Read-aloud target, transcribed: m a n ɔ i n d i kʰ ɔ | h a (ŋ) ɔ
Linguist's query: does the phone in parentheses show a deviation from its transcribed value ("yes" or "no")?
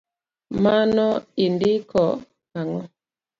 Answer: no